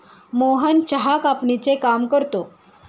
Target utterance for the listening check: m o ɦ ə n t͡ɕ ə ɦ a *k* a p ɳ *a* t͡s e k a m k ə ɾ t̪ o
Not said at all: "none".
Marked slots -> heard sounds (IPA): k, i

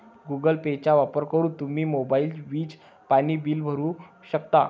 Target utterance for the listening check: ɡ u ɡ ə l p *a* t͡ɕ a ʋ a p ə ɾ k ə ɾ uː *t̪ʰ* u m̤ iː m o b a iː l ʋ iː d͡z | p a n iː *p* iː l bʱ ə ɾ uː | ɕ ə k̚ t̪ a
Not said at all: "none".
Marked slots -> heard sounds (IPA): e, t̪, b

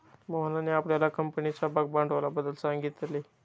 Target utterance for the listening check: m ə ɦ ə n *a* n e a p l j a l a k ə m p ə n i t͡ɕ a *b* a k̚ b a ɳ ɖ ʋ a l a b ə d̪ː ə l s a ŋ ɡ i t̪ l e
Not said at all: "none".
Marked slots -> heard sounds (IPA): a, b

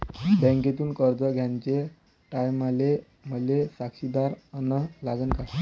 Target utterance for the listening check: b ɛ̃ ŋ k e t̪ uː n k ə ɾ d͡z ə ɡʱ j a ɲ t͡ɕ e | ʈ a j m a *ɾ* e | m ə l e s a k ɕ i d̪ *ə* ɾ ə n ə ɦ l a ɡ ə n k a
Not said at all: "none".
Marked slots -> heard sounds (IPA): l, a

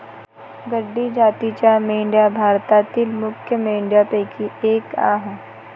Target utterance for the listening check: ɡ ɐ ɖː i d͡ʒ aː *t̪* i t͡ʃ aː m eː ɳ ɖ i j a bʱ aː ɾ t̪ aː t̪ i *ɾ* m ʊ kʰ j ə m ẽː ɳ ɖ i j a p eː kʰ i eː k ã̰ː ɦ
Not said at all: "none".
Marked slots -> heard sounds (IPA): t̪, l

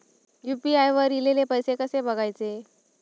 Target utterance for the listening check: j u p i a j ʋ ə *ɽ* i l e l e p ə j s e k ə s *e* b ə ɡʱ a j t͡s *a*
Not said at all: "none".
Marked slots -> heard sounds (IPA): ɾ, e, e

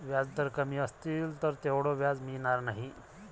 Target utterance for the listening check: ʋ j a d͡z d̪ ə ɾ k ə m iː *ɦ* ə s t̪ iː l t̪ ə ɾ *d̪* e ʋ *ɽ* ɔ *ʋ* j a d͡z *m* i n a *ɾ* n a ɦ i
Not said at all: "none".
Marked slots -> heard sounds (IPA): none, t̪, ɽ, ʋ, m, ɾ

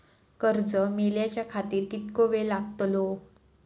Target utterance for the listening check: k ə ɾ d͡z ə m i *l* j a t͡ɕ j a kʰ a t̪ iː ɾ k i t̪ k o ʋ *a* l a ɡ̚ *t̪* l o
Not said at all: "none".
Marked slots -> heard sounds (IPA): l, e, t̪

